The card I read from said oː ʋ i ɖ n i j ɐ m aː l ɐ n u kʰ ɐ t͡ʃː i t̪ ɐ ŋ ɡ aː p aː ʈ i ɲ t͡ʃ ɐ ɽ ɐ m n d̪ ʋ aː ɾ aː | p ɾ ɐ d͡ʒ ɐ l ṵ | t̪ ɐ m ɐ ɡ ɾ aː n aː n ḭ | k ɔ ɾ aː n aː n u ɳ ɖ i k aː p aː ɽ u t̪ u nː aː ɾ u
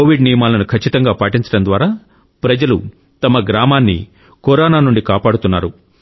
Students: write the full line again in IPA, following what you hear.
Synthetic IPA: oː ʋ i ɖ n i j ɐ m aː l ɐ n u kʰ ɐ t͡ʃː i t̪ ɐ ŋ ɡ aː p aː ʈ i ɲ t͡ʃ ɐ ɽ ɐ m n d̪ ʋ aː ɾ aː | p ɾ ɐ d͡ʒ ɐ l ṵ | t̪ ɐ m ɐ ɡ ɾ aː m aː nː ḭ | k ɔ ɾ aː n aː n u ɳ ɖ i k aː p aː ɽ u t̪ u nː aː ɾ u